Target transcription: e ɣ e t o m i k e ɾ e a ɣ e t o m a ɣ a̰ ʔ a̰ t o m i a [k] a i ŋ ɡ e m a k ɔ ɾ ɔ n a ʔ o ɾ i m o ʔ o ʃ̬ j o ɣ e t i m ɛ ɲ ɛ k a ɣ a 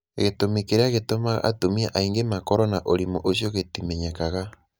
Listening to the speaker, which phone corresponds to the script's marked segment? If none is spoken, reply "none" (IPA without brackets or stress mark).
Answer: ʔ